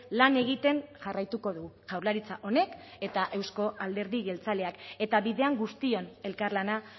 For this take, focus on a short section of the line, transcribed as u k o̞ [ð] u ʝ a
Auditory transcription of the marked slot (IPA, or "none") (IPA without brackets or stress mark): ð